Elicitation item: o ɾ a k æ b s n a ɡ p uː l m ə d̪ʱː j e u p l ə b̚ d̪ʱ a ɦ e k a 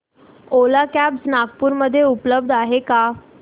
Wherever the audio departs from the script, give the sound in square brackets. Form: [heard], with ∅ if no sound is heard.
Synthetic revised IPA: o [l] a k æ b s n a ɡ p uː [ɾ] m ə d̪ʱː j e u p l ə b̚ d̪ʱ a ɦ e k a